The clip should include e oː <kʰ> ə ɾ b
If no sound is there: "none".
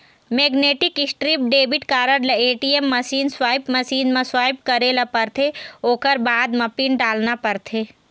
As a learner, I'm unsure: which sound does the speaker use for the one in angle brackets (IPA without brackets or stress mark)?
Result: k